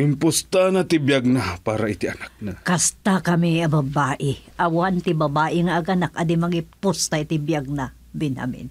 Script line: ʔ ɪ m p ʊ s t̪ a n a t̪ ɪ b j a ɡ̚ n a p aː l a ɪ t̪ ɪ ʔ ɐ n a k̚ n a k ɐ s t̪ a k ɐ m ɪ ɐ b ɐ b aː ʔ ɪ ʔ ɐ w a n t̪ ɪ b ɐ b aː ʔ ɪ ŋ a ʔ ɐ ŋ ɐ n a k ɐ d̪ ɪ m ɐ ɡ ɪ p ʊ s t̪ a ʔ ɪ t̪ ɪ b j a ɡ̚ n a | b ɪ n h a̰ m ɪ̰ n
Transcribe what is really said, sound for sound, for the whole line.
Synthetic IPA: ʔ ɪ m p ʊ s t̪ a n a t̪ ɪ b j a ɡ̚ n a p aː ɾ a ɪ t̪ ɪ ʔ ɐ n a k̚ n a k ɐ s t̪ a k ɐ m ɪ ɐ b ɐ b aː ʔ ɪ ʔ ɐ w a n t̪ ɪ b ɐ b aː ʔ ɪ ŋ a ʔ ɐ ɡ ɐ n a k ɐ d̪ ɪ m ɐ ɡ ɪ p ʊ s t̪ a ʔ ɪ t̪ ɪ b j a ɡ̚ n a | b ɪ n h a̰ m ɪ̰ n